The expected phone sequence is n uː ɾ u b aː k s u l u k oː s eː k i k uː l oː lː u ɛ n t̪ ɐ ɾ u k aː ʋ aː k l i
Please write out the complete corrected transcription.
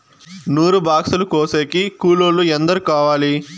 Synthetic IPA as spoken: n uː ɾ u b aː k s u l u k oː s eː k i k uː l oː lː u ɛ n d̪ ɐ ɾ u k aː ʋ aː l i